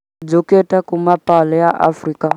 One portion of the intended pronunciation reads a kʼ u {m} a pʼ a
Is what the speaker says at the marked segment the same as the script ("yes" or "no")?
yes